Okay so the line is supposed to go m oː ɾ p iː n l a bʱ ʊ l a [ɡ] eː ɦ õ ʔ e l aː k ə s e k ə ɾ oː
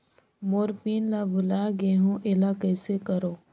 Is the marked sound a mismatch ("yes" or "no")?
no